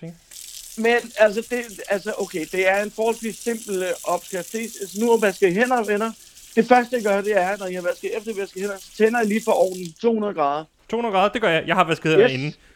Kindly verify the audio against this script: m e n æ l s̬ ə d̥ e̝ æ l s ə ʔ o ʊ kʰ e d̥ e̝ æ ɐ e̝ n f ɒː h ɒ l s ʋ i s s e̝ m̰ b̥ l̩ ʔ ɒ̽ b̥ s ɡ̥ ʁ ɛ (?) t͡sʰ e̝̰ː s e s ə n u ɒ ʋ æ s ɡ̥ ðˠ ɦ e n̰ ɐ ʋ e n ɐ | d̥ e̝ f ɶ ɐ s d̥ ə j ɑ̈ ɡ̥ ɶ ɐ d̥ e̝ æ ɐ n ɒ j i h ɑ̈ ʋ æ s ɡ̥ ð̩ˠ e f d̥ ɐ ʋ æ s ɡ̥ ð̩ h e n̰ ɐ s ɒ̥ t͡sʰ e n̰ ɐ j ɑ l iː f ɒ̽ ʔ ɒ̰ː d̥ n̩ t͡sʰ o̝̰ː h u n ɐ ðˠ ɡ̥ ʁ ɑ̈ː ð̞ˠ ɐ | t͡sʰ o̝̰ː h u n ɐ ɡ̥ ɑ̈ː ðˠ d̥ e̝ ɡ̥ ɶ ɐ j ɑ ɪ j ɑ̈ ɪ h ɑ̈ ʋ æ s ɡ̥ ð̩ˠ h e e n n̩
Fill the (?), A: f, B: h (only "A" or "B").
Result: A